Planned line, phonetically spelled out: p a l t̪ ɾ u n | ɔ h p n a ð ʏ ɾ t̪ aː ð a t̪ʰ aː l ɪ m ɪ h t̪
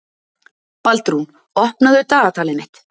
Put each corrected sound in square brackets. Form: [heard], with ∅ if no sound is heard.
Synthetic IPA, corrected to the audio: p a l t̪ ɾ u n | ɔ h p n a ð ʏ ɾ t̪ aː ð a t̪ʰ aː l ɪ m ɪ h t̪